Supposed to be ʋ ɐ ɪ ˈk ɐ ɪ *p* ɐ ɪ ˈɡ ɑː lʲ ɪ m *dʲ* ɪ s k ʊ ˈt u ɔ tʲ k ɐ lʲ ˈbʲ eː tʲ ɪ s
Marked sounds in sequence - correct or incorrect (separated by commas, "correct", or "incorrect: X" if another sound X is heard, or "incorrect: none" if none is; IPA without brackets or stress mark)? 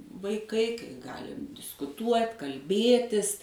incorrect: k, correct